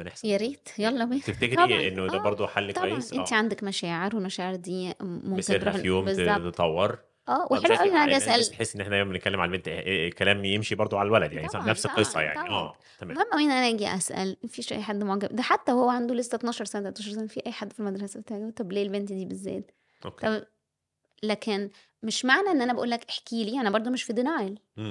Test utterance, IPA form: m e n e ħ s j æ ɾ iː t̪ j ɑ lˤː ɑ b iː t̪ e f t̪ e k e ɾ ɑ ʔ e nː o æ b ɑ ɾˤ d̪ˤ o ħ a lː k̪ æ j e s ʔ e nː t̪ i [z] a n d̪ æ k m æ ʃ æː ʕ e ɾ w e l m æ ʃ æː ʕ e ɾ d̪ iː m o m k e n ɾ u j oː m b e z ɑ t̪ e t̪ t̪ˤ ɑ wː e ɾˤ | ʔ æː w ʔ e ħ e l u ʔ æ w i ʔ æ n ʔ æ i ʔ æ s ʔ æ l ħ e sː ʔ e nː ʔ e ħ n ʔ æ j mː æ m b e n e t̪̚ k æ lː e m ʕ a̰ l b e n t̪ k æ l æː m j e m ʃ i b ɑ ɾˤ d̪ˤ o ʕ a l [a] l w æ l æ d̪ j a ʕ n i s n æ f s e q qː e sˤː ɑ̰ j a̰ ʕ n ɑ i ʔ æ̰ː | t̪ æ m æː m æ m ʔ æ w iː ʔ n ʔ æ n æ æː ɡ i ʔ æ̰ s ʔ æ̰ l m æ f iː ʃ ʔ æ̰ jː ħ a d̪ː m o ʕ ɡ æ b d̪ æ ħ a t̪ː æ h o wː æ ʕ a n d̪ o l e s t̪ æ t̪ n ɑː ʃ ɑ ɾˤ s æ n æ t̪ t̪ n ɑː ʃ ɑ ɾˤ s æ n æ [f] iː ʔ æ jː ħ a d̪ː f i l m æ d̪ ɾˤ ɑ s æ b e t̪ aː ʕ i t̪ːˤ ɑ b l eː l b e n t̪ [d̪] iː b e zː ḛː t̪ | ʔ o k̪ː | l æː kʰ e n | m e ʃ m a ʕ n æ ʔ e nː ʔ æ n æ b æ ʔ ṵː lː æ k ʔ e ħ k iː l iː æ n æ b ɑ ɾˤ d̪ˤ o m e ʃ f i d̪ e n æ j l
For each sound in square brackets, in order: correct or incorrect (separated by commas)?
incorrect, incorrect, correct, correct